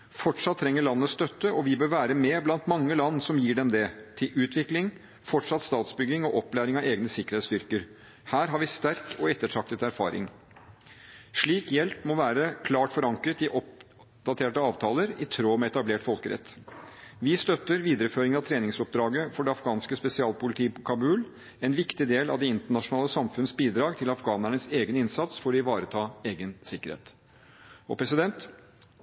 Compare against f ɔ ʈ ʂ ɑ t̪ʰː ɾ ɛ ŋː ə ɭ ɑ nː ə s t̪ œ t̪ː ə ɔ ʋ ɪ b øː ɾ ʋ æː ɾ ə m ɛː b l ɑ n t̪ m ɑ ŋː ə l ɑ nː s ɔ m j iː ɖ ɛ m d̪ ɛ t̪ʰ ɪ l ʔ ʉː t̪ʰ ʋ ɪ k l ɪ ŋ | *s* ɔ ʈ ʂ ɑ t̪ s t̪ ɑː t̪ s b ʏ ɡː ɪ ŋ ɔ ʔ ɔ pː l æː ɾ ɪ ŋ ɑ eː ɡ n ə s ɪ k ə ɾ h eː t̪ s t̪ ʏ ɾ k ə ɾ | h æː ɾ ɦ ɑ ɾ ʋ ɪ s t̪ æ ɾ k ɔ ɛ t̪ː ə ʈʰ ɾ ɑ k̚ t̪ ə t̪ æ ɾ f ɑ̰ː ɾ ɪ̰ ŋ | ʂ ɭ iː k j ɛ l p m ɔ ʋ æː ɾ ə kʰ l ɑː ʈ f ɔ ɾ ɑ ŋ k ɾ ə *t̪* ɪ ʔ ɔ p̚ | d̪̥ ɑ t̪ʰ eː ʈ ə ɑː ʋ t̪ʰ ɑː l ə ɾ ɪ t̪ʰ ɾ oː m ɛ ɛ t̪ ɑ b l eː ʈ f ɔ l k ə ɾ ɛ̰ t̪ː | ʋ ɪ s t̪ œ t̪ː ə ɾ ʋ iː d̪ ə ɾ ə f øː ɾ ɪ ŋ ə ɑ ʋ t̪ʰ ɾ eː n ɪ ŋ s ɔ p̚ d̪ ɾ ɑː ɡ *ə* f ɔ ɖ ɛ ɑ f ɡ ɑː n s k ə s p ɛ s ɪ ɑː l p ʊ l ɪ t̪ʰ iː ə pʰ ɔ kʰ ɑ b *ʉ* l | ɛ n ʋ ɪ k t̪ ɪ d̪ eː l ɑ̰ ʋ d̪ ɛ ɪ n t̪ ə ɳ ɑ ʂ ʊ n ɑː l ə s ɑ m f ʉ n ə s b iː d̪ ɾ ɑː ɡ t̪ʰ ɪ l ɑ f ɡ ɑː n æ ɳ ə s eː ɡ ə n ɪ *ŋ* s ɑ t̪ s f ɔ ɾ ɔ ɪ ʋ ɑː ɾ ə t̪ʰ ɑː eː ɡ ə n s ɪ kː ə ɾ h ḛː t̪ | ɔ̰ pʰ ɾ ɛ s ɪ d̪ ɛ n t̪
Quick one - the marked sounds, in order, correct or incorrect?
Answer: incorrect, correct, correct, incorrect, incorrect

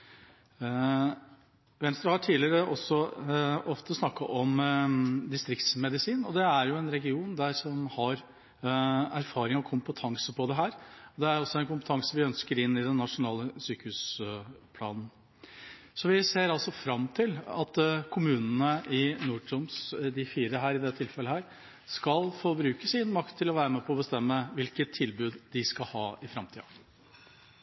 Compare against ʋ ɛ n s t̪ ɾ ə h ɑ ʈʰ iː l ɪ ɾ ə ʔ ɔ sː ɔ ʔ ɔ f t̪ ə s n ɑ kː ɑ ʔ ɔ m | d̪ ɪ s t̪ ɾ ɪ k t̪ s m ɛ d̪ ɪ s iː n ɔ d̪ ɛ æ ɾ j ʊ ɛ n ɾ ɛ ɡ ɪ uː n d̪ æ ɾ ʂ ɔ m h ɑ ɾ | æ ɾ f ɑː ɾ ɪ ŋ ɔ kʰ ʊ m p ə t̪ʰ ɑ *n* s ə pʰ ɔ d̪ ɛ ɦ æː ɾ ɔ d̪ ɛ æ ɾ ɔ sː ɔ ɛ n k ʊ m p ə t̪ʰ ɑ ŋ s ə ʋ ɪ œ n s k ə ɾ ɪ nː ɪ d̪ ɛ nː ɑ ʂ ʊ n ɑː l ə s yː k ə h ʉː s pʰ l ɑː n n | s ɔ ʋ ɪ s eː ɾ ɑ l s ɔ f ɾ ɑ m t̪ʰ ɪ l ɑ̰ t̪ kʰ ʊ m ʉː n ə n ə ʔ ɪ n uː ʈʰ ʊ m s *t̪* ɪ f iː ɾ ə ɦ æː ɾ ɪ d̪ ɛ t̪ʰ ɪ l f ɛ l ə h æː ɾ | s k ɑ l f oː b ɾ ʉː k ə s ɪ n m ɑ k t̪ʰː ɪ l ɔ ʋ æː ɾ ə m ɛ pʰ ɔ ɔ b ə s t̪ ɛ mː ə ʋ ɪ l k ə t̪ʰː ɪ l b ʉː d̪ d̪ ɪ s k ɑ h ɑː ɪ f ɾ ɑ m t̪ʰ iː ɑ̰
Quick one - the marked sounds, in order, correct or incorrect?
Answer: incorrect, incorrect

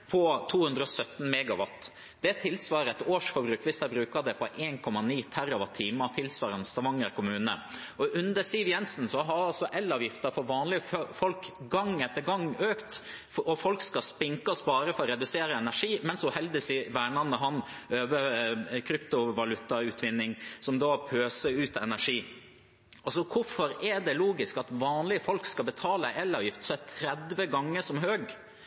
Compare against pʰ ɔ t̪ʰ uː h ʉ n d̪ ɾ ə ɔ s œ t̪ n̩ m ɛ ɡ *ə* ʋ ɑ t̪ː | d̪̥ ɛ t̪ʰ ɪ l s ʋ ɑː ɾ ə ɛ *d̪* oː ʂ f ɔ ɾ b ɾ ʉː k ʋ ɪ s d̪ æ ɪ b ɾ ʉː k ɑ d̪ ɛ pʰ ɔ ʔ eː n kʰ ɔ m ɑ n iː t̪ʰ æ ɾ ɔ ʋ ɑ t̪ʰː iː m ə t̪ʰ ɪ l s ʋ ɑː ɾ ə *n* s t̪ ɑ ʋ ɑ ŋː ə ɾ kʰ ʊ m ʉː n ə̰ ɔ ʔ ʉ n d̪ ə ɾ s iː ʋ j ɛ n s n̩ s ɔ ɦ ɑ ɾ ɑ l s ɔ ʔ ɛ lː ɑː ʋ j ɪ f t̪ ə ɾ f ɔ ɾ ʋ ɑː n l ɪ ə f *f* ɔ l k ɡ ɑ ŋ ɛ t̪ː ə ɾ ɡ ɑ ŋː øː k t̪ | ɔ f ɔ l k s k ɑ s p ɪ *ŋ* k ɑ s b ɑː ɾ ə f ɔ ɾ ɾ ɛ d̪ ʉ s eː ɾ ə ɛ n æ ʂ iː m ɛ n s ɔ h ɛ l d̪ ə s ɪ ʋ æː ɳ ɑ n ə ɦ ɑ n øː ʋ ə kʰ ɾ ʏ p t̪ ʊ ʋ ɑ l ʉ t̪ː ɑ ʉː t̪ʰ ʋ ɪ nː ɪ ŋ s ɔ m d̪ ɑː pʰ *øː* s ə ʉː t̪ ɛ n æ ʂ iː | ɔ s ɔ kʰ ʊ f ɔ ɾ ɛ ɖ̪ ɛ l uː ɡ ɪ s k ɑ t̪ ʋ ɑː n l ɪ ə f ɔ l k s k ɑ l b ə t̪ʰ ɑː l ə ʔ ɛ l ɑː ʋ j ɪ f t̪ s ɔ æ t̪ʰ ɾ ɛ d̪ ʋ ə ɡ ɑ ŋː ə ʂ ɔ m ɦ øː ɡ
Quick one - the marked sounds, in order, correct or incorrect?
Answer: incorrect, incorrect, correct, correct, correct, correct

